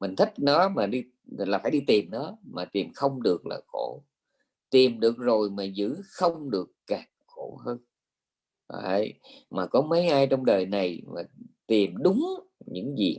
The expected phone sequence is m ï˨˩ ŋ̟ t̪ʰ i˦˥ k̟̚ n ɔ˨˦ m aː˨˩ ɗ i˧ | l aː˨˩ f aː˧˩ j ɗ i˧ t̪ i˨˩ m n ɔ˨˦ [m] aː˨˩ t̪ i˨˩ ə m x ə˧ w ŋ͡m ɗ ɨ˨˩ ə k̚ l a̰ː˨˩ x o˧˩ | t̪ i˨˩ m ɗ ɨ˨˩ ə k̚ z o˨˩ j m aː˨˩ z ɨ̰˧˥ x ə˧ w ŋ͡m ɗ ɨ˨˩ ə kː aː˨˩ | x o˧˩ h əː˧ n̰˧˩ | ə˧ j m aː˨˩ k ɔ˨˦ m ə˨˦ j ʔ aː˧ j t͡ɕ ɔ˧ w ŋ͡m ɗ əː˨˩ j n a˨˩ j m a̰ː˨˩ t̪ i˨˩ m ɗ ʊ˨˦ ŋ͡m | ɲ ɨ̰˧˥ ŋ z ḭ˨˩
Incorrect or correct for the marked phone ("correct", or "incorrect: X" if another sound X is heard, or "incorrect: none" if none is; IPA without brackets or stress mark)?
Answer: correct